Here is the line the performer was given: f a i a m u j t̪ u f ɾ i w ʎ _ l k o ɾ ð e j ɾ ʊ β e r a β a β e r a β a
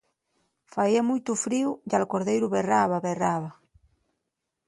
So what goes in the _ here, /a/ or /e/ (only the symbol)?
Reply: a